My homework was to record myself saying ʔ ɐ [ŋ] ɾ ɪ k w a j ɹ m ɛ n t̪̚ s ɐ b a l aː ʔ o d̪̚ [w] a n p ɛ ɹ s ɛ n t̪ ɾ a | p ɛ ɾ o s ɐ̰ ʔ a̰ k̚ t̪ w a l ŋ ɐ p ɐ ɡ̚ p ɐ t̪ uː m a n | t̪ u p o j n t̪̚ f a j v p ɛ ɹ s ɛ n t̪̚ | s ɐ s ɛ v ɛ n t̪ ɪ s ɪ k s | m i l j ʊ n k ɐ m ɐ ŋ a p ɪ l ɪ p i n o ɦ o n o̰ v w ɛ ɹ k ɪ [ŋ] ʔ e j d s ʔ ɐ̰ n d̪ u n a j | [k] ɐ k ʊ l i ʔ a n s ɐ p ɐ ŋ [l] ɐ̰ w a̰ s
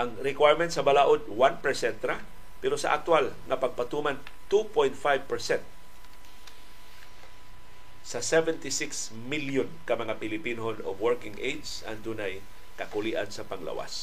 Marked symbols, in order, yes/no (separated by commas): yes, yes, yes, yes, yes